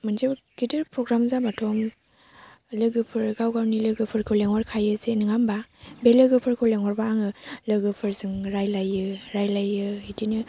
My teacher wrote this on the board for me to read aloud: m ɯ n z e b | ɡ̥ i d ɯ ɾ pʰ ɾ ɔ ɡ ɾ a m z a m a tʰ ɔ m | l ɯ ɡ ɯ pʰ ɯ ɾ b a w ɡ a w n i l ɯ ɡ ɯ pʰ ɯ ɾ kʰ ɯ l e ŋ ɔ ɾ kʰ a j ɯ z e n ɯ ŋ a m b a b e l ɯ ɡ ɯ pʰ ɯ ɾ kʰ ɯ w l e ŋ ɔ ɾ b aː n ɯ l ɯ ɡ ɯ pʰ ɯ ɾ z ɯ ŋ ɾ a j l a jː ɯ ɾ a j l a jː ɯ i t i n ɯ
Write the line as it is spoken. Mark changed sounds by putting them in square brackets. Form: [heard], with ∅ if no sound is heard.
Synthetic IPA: m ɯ n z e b | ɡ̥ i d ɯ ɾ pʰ ɾ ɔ ɡ ɾ a m z a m a tʰ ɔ m | l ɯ ɡ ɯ pʰ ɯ ɾ [ɡ] a w ɡ a w n i l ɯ ɡ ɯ pʰ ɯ ɾ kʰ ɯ l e ŋ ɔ ɾ kʰ a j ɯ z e n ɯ ŋ a m b a b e l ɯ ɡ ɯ pʰ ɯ ɾ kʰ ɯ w l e ŋ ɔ ɾ b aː [ŋ] ɯ l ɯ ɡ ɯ pʰ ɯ ɾ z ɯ ŋ ɾ a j l a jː ɯ ɾ a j l a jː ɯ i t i n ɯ